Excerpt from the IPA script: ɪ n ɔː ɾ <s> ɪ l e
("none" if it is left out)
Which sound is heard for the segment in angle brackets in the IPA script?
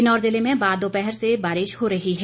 z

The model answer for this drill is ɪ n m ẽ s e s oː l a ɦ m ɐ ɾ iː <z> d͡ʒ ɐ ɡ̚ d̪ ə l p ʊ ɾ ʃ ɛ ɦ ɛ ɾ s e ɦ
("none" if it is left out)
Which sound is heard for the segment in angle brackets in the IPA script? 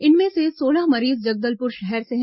z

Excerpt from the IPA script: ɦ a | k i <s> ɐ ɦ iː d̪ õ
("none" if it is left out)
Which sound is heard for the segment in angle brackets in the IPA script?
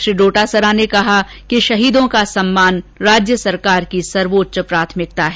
ʃ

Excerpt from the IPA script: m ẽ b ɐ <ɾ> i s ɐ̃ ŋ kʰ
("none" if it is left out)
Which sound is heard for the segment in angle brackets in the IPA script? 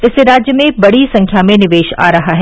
ɽ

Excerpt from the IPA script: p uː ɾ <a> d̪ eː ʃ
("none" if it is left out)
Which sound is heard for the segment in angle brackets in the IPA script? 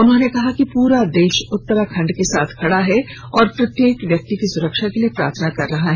a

